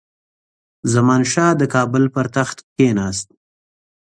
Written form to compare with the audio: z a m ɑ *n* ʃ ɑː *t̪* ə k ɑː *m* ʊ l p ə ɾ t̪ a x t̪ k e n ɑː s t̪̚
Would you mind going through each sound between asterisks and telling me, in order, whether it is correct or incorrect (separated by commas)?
correct, incorrect, incorrect